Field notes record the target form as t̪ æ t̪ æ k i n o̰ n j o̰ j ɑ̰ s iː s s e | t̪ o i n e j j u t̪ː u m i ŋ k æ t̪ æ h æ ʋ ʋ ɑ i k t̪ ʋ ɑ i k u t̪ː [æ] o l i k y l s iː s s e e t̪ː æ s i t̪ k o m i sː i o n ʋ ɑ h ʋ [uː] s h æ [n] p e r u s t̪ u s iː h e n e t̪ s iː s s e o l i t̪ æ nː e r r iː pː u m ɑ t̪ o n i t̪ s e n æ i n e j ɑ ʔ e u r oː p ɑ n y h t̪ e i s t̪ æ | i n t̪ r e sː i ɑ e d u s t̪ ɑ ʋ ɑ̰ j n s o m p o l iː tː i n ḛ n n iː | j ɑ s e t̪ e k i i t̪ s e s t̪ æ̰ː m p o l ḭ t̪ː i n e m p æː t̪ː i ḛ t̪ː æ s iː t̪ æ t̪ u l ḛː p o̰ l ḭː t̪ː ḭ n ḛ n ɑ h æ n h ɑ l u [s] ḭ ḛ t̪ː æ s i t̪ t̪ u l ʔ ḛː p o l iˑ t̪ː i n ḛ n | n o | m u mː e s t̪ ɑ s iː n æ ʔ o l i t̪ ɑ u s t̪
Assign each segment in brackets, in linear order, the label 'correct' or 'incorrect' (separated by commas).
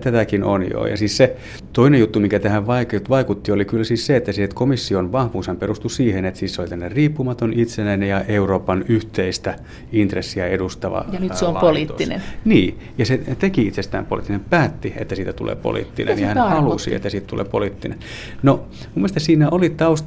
incorrect, correct, incorrect, correct